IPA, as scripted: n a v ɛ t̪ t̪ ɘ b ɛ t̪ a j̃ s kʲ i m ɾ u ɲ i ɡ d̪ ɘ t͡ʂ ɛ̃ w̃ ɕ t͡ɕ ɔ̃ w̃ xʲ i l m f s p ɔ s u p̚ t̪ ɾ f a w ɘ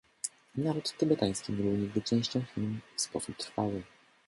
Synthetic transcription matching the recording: n a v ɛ t̪ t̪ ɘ b ɛ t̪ a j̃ s kʲ i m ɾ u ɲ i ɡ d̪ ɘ t͡ʂ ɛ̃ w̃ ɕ t͡ɕ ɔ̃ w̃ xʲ i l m f s p ɔ s u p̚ t̪ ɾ f a w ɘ

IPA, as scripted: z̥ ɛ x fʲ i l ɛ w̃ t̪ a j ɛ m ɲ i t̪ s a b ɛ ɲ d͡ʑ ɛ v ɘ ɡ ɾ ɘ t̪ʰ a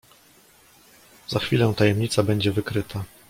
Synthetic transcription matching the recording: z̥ a x fʲ i l ɛ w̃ t̪ a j ɛ m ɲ i t̪ s a b ɛ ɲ d͡ʑ ɛ v ɘ k ɾ ɘ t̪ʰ a

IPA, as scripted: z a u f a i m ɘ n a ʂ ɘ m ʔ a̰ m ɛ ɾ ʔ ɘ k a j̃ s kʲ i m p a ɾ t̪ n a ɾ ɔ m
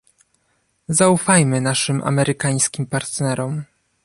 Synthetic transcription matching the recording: z a u f a j m ɘ n a ʂ ɘ m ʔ a̰ m ɛ ɾ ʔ ɘ k a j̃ s kʲ i m p a ɾ t̪ n ɛ ɾ ɔ m

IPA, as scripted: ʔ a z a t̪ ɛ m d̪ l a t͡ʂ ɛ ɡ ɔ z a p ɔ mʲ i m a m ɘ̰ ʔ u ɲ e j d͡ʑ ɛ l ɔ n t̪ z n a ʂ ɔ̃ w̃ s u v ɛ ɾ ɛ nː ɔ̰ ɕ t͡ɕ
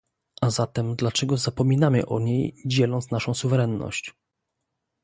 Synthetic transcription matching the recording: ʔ a z a t̪ ɛ m d̪ l a t͡ʂ ɛ ɡ ɔ z a p ɔ mʲ i n a m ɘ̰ ʔ ɔ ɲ e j d͡ʑ ɛ l ɔ n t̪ s n a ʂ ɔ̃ w̃ s u v ɛ ɾ ɛ nː ɔ̰ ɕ t͡ɕ

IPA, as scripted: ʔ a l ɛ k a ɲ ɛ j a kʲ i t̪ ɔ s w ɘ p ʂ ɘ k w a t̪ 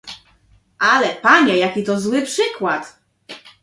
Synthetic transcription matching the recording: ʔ a l ɛ p a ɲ ɛ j a kʲ i t̪ ɔ z w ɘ p ʂ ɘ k w a t̪

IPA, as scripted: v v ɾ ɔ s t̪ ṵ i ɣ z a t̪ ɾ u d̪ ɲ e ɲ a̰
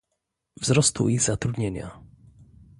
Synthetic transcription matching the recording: v z ɾ ɔ s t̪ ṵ i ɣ z a t̪ ɾ u d̪ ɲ e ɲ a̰

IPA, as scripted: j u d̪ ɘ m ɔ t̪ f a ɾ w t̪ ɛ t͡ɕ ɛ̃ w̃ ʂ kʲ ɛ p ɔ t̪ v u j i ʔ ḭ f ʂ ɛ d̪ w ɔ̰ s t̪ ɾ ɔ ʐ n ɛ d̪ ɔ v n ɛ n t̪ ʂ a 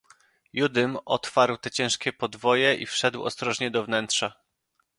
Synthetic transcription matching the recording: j u d̪ ɘ m ɔ t̪ f a ɾ w t̪ ɛ t͡ɕ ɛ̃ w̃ ʂ kʲ ɛ p ɔ d̪ v ɔ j ɛ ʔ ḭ f ʂ ɛ d̪ w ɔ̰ s t̪ ɾ ɔ ʐ ɲ ɛ d̪ ɔ v n ɛ n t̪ ʂ a

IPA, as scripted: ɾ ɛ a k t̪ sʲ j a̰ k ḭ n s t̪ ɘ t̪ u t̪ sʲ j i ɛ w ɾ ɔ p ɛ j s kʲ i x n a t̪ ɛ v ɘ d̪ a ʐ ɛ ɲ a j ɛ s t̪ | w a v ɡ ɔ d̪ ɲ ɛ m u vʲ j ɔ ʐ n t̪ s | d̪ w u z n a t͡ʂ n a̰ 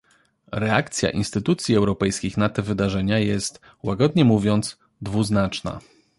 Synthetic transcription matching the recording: ɾ ɛ a k t̪ sʲ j a̰ ʔ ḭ n s t̪ ɘ t̪ u t̪ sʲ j i ɛ w ɾ ɔ p ɛ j s kʲ i x n a t̪ ɛ v ɘ d̪ a ʐ ɛ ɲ a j ɛ s t̪ | w a ɡ ɔ d̪ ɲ ɛ m u vʲ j ɔ n t̪ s | d̪ v u z n a t͡ʂ n a̰

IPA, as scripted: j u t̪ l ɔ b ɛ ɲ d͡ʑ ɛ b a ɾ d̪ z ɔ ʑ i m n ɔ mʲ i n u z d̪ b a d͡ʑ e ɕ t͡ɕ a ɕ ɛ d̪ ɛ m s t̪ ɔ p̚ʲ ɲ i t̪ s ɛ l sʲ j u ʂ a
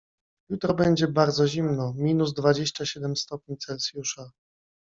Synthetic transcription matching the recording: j u t̪ ɾ ɔ b ɛ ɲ d͡ʑ ɛ b a ɾ d̪ z ɔ ʑ i m n ɔ mʲ i n u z d̪ v a d͡ʑ e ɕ t͡ɕ a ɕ ɛ d̪ ɛ m s t̪ ɔ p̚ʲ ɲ i t̪ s ɛ l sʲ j u ʂ a

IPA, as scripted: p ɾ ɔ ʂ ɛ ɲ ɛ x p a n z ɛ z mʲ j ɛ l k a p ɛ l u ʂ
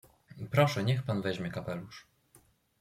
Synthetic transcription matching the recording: p ɾ ɔ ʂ ɛ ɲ ɛ x p a n v ɛ ʑ mʲ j ɛ k a p ɛ l u ʂ

